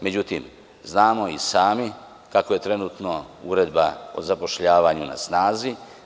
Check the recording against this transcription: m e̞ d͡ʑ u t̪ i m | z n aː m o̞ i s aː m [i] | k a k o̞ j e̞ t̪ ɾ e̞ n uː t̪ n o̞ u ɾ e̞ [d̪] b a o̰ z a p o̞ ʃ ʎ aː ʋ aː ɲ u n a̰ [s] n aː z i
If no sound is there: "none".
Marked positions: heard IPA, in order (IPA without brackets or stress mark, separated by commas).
i, d̪, s